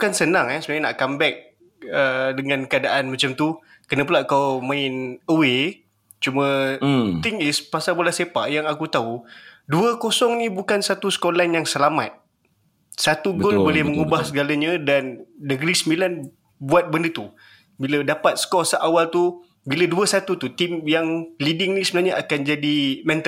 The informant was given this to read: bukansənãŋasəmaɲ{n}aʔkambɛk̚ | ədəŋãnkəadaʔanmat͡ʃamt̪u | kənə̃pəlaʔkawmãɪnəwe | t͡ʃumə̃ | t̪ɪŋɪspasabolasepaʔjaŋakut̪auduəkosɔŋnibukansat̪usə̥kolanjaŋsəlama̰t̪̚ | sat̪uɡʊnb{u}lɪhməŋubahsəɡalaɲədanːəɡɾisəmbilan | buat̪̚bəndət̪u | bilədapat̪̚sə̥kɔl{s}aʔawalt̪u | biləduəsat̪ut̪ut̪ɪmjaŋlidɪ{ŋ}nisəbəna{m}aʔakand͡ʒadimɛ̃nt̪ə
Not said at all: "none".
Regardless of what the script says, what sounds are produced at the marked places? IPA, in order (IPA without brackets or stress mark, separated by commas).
n, o, s, ŋ, ɲ